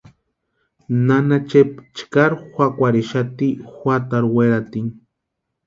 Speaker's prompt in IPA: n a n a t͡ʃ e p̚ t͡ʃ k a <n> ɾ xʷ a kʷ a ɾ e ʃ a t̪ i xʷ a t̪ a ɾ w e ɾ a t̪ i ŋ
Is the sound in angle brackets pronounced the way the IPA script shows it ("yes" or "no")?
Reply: no